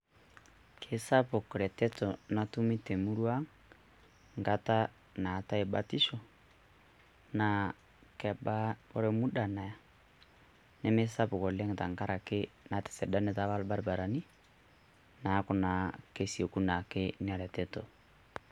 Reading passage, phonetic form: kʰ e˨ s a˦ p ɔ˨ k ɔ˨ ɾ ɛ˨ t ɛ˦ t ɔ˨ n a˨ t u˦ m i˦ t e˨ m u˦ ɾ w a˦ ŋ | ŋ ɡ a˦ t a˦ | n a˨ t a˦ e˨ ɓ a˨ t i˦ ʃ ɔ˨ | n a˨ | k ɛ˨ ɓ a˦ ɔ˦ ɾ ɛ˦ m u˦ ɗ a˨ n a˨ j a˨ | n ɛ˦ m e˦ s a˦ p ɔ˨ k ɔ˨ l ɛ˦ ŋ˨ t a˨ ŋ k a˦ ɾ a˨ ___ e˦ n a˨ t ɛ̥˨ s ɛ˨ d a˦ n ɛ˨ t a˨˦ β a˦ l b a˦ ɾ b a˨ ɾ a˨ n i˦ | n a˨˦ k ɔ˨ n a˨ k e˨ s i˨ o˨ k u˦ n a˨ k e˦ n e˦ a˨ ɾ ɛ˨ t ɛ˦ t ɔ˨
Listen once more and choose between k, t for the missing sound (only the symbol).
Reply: k